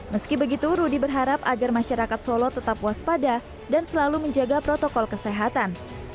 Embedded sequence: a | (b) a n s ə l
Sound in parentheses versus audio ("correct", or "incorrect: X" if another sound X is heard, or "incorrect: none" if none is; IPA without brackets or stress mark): incorrect: d